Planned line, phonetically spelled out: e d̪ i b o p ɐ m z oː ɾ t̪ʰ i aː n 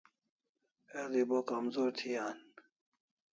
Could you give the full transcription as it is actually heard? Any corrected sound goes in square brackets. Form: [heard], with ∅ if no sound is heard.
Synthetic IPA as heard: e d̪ i b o [k] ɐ m z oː ɾ t̪ʰ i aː n